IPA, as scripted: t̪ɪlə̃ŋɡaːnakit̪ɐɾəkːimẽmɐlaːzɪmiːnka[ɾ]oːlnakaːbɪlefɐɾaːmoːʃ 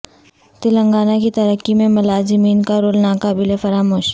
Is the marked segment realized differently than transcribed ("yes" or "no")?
no